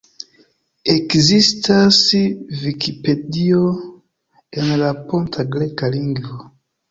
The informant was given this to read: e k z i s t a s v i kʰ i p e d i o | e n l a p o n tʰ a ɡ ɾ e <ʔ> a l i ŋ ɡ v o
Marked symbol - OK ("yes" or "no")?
no